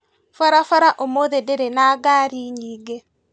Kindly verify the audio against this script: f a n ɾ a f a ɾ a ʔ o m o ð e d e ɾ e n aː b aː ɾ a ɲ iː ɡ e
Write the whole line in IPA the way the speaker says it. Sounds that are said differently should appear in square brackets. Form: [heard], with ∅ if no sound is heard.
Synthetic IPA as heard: f a [∅] ɾ a f a ɾ a ʔ o m o ð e d e ɾ e n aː [ɡ] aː ɾ [i] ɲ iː ɡ e